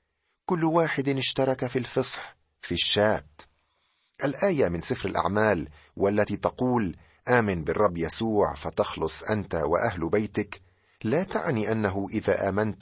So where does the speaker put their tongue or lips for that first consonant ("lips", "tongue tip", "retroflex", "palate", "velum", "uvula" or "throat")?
velum